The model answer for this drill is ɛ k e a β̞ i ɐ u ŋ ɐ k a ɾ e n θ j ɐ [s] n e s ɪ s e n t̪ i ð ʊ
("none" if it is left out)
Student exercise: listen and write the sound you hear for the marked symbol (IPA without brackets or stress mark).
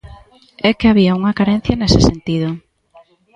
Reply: none